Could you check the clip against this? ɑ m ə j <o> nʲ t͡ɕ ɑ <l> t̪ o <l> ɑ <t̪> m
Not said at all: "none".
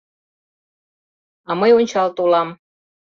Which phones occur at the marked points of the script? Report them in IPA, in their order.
o, l, l, none

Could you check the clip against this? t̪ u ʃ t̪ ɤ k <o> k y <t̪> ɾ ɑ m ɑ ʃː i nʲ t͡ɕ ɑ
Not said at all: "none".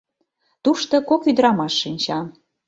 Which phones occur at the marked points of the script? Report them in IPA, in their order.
o, d̪

